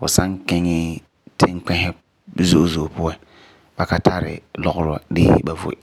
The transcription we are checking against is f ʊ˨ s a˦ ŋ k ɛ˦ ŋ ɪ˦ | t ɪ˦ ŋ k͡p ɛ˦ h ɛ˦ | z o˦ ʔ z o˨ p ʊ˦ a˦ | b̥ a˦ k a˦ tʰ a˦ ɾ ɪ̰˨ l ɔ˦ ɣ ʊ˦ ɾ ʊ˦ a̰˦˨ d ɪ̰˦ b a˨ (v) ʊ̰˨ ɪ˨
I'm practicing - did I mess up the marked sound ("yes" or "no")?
no